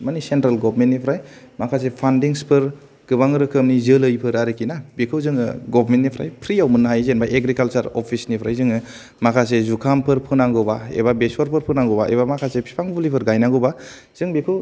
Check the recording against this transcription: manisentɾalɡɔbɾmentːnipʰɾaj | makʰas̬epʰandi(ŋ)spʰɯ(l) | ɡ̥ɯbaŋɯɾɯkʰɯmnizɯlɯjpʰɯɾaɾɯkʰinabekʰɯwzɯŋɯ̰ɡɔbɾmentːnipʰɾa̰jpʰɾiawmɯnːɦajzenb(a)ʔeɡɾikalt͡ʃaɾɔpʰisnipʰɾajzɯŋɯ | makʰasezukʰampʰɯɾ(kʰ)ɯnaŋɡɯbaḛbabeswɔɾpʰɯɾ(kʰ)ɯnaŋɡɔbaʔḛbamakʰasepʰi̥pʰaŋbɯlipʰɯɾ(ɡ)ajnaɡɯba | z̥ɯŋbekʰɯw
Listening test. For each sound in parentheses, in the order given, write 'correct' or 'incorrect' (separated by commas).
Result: correct, incorrect, correct, incorrect, incorrect, correct